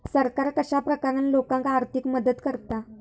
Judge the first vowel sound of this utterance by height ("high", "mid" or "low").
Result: mid